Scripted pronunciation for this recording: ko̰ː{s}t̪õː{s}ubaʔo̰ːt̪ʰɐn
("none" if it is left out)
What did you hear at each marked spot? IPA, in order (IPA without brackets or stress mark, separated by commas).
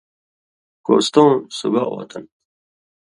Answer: s, s